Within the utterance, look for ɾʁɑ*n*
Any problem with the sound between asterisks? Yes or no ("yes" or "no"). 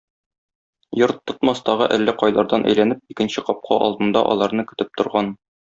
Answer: no